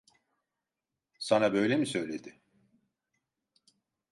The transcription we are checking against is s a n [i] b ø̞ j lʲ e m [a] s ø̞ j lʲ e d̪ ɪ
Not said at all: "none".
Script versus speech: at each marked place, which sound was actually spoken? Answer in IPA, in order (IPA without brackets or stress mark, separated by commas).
a, i